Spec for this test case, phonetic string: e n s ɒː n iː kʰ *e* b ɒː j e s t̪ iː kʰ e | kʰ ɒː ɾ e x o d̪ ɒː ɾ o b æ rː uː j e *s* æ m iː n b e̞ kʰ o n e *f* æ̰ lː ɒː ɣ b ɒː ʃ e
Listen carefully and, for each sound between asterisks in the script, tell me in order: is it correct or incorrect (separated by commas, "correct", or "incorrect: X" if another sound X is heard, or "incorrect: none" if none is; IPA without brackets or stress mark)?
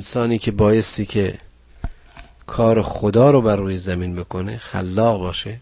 correct, incorrect: z, incorrect: x